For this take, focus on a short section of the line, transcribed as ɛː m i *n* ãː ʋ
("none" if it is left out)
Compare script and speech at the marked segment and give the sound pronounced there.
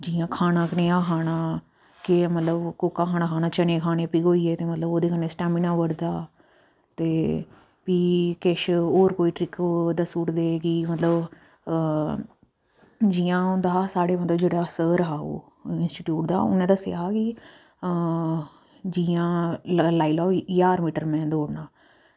n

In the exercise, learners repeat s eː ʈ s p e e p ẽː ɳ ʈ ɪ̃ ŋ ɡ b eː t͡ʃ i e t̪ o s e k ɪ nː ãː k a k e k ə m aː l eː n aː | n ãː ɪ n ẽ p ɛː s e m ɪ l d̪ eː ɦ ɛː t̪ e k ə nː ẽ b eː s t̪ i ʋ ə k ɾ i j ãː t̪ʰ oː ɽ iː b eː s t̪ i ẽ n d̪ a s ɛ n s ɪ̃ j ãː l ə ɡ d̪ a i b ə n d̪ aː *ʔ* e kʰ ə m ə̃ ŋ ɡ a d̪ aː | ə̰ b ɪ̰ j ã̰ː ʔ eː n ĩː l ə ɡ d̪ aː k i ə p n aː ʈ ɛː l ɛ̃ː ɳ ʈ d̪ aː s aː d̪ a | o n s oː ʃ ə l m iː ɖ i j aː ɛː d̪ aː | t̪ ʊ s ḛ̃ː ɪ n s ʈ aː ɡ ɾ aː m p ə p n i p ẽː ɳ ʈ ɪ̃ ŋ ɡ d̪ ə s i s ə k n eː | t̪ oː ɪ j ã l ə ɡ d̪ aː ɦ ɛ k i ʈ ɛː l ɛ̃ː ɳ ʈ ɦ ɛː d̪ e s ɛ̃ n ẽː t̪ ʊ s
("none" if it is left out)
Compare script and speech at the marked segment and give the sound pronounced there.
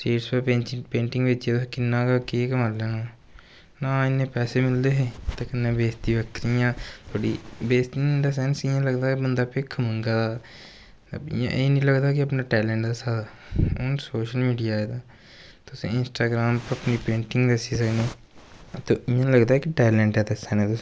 p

